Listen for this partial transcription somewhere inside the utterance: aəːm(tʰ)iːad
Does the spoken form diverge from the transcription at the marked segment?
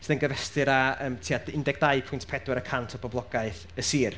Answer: no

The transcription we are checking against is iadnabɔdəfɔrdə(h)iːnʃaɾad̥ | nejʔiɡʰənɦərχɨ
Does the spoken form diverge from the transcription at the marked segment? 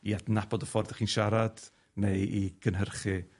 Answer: yes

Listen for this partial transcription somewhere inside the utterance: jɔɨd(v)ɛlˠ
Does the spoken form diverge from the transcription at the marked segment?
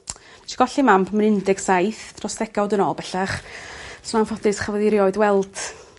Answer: yes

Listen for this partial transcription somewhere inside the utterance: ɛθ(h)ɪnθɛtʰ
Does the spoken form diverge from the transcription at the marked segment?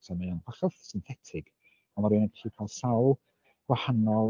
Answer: yes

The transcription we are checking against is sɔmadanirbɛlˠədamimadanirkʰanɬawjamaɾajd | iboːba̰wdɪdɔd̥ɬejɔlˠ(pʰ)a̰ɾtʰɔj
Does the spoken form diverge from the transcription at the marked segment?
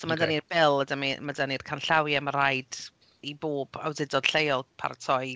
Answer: no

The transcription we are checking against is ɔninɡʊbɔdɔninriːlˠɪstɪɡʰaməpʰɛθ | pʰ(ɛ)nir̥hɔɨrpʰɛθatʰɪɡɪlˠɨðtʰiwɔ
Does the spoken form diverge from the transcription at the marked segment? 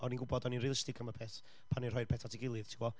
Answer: yes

